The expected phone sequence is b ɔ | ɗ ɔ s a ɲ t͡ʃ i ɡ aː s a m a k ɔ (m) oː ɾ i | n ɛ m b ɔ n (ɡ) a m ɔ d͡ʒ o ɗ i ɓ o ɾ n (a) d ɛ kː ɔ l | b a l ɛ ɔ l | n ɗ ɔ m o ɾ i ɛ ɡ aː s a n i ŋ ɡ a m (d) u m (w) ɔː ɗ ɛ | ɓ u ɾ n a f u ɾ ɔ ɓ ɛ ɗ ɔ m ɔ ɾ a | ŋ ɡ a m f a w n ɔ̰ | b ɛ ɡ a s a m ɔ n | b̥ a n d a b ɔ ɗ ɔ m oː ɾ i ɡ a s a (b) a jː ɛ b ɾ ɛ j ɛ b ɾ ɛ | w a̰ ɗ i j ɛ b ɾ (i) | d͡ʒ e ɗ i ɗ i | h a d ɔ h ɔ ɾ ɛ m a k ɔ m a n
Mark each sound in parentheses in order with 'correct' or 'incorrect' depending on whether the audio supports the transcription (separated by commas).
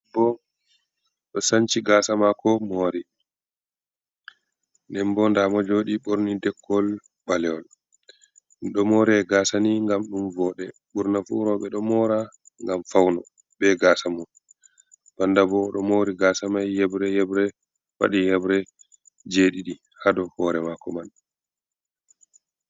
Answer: correct, incorrect, incorrect, incorrect, incorrect, incorrect, incorrect